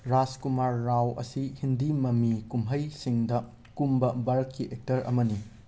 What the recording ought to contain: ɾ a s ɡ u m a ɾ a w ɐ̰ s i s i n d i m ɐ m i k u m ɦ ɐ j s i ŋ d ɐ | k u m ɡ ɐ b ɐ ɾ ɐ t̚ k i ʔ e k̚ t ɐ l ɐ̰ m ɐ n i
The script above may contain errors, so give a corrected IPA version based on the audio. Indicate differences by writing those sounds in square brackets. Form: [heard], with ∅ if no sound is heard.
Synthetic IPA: ɾ a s [k] u m a [ɾː] a w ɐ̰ s i [h] i n d i m ɐ m i k u m ɦ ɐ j s i ŋ d ɐ | k u m [b] ɐ b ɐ ɾ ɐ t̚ k i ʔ e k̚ t ɐ [ɾ] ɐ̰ m ɐ n i